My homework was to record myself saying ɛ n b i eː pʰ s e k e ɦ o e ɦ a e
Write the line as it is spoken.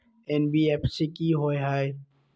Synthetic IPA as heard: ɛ n b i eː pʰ s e k i ɦ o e ɦ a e